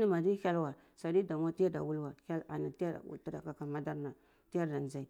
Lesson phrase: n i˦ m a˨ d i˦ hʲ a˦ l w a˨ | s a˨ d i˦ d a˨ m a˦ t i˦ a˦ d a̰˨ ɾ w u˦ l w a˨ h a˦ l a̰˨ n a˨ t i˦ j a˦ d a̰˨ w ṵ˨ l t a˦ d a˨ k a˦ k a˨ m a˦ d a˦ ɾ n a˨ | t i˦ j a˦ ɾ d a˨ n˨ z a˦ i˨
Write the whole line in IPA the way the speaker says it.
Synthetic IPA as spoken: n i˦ m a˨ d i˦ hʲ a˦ l w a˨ | s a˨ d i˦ d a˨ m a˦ t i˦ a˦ d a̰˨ w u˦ l w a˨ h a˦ l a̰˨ n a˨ t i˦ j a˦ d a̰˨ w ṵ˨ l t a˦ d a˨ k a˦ k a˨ m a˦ d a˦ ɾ n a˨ | t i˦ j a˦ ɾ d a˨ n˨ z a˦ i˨